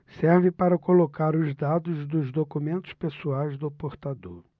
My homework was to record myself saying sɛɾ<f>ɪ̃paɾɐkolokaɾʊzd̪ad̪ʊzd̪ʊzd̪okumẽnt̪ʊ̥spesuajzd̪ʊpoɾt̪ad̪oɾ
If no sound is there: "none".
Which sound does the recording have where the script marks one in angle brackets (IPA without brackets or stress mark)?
v